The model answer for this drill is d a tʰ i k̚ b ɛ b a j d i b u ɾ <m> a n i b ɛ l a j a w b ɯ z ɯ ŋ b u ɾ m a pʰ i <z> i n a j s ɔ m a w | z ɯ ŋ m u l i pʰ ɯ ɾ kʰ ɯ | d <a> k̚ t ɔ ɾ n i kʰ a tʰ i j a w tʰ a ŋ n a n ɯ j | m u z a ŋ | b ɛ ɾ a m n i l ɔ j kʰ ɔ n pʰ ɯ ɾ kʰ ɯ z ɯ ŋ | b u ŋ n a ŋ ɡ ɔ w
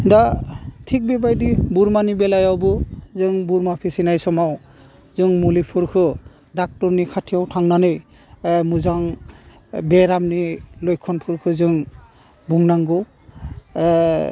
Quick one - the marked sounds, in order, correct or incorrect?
correct, incorrect: s, correct

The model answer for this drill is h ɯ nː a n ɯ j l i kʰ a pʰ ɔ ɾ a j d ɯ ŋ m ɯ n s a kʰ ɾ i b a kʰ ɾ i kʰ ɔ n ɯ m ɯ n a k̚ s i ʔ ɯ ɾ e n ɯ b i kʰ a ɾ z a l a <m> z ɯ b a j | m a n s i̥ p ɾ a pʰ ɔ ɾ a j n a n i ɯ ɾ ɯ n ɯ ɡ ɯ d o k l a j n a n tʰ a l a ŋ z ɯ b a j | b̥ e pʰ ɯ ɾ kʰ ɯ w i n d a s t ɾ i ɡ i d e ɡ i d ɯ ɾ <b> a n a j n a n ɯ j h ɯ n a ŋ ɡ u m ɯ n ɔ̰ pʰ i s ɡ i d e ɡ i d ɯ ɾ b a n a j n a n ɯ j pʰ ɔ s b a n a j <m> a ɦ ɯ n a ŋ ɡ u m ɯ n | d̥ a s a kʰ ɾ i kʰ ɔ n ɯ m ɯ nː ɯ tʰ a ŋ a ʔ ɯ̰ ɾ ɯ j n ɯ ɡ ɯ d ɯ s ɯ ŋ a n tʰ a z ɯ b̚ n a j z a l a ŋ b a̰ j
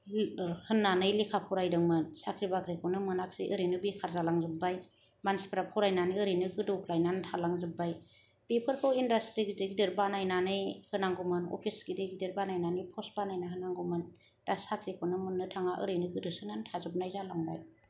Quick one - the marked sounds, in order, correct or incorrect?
incorrect: ŋ, correct, incorrect: n

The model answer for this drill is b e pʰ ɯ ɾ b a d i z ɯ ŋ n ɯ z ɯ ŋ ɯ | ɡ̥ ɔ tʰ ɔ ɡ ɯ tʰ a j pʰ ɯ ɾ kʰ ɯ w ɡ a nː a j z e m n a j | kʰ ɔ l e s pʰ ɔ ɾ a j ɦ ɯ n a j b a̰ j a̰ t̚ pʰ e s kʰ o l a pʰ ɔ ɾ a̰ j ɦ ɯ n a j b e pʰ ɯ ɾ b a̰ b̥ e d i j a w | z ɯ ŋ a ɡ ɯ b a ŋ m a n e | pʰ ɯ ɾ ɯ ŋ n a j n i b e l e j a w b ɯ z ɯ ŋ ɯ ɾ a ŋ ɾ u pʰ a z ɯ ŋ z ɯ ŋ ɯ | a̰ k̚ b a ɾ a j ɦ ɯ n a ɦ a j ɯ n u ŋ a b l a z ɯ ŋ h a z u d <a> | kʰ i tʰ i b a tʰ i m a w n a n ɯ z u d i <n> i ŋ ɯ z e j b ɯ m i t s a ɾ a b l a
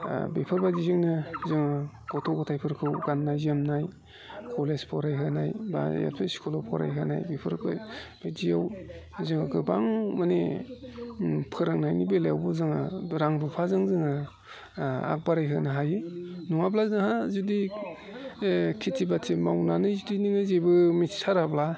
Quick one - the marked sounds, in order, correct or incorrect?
incorrect: i, correct

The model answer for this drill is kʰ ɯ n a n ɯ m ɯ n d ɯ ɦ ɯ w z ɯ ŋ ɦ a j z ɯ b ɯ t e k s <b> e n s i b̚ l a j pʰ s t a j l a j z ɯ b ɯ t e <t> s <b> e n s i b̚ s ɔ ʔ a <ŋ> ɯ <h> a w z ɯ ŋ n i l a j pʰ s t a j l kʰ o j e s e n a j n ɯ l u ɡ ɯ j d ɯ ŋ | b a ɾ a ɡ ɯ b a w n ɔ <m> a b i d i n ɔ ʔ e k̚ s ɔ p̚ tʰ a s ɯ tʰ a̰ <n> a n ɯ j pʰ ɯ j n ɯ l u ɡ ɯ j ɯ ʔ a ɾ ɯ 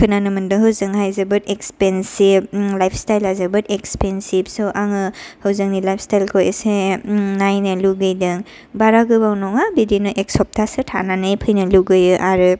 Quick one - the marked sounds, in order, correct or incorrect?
incorrect: p, incorrect: k, incorrect: p, correct, correct, incorrect: ŋ, correct

